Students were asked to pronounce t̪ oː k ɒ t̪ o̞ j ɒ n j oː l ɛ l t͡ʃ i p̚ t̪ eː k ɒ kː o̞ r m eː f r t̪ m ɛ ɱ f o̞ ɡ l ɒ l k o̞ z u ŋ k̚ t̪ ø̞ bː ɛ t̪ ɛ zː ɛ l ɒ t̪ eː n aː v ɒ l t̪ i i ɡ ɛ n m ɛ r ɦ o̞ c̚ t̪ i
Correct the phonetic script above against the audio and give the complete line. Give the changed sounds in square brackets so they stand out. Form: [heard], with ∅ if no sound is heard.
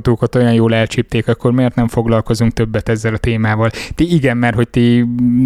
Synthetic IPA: t̪ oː k ɒ t̪ o̞ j ɒ n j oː l ɛ l t͡ʃ i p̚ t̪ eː k ɒ kː o̞ r m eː [∅] r t̪ [n] ɛ ɱ f o̞ ɡ l ɒ l k o̞ z u ŋ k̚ t̪ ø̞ bː ɛ t̪ ɛ zː ɛ l ɒ t̪ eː [m] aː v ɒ l t̪ i i ɡ ɛ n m ɛ r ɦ o̞ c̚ t̪ i